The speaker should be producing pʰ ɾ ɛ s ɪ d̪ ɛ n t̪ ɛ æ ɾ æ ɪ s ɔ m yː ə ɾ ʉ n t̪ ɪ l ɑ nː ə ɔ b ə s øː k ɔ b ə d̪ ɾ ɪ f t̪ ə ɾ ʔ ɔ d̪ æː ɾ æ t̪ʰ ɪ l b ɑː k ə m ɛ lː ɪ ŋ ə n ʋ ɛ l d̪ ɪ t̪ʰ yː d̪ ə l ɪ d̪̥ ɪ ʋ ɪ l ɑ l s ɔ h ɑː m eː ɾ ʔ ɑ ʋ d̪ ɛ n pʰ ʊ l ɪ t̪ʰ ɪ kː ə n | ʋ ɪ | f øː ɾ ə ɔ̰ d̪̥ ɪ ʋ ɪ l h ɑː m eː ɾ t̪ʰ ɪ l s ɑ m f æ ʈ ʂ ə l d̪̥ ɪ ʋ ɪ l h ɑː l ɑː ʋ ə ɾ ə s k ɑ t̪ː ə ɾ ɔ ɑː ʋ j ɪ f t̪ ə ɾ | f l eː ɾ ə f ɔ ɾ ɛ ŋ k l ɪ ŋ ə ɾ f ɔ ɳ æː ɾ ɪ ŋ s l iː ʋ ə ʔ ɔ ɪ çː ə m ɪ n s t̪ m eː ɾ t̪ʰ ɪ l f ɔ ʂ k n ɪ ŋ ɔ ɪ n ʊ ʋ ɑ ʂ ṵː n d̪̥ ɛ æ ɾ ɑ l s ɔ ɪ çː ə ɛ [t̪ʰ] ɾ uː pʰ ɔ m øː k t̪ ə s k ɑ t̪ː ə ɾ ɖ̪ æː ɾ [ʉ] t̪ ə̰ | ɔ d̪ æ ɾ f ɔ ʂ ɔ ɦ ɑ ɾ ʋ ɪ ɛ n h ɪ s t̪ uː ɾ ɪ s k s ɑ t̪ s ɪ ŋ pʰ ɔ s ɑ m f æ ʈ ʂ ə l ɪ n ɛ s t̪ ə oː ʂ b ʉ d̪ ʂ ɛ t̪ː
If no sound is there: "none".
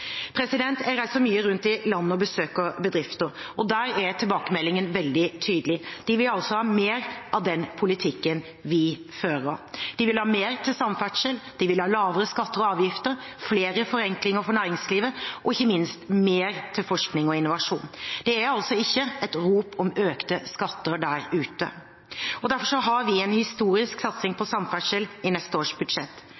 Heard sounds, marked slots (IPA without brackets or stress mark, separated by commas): t̪, ʉː